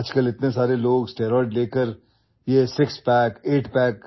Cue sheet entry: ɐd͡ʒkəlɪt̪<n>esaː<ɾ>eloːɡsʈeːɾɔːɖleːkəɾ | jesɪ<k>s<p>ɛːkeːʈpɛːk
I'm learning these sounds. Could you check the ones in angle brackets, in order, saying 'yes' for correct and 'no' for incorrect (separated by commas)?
yes, yes, yes, yes